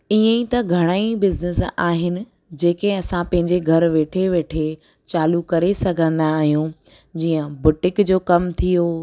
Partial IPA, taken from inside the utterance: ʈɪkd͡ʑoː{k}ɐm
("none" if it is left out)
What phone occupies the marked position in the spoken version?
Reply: k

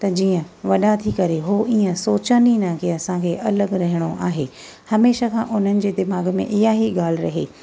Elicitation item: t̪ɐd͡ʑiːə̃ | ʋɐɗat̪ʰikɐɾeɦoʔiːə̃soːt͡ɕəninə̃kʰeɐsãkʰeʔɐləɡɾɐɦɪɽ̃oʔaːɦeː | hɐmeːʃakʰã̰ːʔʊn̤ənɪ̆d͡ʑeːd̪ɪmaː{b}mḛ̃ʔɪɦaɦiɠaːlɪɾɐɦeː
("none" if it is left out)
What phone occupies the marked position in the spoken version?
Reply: ɡ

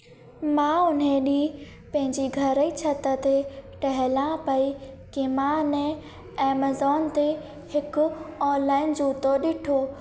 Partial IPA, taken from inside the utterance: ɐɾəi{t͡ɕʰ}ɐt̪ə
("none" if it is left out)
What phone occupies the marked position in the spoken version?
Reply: t͡ɕʰ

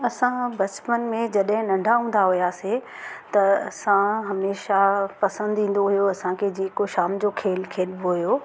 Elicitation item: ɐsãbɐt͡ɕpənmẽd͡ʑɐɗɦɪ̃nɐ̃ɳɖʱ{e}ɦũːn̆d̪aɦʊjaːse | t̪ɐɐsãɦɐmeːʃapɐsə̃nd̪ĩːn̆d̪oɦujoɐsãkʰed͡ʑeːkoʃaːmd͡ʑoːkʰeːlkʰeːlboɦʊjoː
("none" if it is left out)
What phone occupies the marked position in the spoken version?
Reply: a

